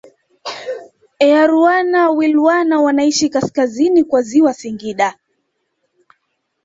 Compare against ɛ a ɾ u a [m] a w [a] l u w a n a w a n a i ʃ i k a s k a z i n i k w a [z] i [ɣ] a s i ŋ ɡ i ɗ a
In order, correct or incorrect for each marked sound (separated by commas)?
incorrect, incorrect, correct, incorrect